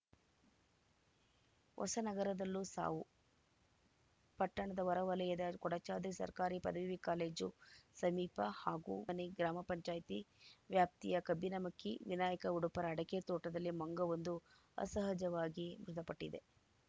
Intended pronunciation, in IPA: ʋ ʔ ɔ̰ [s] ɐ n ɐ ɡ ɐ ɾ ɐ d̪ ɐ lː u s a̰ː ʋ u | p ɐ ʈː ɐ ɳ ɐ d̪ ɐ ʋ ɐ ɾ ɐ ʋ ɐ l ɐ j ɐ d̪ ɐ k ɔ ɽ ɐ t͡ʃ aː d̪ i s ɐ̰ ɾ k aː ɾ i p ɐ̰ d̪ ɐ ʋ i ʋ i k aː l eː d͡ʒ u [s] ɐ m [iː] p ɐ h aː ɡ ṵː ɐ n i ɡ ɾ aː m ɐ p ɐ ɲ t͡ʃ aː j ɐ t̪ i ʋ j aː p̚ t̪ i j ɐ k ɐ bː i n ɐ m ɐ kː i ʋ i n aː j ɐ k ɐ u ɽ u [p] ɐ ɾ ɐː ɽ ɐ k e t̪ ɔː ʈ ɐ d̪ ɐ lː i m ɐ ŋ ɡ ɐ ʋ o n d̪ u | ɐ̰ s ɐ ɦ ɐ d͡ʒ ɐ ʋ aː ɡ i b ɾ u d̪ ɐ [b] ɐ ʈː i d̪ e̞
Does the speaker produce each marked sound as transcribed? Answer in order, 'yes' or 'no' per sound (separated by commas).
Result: yes, yes, yes, yes, no